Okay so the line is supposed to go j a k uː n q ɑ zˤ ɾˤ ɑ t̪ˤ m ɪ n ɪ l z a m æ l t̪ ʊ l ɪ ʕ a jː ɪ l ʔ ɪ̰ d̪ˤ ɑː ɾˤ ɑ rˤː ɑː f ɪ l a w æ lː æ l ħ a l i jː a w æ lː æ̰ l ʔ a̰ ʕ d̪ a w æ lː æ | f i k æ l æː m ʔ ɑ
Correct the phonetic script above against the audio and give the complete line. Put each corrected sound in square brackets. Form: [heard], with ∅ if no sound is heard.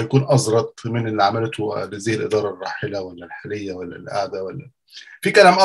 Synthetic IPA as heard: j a k uː n [ʔ] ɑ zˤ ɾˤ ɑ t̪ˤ m ɪ n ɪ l [ʕ] a m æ l t̪ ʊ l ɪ [z] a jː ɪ l ʔ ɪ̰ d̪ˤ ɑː ɾˤ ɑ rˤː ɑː [ħ] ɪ l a w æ lː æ l ħ a l [ɪ] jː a w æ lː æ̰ l ʔ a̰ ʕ d̪ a w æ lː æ | f i k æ l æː m ʔ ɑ